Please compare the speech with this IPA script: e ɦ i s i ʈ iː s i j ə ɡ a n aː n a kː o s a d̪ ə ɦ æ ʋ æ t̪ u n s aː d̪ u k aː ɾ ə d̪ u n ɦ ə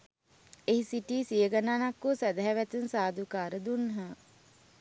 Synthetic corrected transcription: e ɦ i s i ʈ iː s i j ə ɡ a n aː n a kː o s æ d̪ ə ɦ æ ʋ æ t̪ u n s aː d̪ u k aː ɾ ə d̪ u n ɦ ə